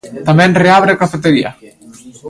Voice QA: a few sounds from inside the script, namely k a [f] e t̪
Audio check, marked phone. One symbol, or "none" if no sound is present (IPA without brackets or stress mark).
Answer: f